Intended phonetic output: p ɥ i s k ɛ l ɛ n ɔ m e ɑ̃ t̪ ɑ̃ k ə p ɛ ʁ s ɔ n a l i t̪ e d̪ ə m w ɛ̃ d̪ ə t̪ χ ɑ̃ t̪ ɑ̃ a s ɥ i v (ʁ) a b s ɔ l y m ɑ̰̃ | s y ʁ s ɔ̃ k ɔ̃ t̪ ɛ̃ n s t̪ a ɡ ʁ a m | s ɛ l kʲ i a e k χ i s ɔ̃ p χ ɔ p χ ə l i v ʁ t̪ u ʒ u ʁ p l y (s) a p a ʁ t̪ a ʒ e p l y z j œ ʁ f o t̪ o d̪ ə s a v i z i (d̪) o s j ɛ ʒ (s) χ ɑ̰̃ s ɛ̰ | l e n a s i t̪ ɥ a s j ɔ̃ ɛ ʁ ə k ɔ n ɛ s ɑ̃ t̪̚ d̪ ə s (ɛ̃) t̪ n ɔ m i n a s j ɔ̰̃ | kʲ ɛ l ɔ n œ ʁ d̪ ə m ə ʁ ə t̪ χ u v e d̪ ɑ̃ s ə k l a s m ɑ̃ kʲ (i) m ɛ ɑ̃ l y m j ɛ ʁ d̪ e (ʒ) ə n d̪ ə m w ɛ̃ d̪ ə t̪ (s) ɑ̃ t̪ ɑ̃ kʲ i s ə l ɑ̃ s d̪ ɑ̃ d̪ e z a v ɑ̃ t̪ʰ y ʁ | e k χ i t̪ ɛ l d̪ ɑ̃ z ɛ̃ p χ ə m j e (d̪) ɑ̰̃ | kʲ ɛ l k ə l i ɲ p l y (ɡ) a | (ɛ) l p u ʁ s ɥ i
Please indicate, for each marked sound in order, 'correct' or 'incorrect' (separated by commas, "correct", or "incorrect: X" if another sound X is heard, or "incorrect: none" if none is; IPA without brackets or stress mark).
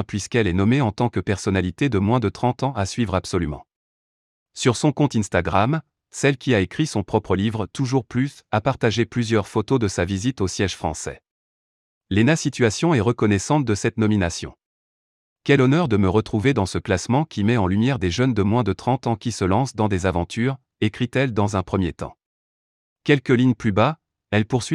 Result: correct, correct, incorrect: t̪, incorrect: f, incorrect: ɛ, correct, correct, incorrect: χ, incorrect: t̪, incorrect: b, correct